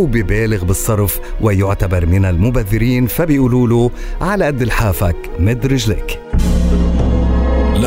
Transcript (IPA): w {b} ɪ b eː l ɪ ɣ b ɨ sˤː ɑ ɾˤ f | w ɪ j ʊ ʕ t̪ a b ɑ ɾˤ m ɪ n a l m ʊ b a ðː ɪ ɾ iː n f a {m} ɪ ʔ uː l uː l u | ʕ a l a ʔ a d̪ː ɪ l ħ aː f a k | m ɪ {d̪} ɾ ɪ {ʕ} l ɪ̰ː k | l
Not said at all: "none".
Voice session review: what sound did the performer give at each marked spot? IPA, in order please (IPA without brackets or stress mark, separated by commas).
b, b, d̪, ʒ